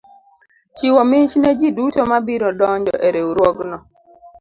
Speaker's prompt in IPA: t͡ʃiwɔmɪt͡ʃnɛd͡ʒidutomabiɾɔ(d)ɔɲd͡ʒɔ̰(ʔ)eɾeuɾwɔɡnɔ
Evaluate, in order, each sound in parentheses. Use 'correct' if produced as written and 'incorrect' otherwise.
correct, correct

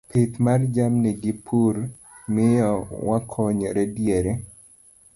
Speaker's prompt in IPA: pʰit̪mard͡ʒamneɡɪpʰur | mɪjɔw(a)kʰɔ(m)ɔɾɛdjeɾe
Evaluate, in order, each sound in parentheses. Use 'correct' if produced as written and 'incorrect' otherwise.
correct, incorrect: ɲ

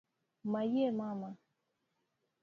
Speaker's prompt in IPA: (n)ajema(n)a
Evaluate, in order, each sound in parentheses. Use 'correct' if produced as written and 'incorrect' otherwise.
incorrect: m, incorrect: m

